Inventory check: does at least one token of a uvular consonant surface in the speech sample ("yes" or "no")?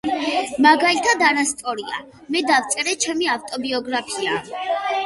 no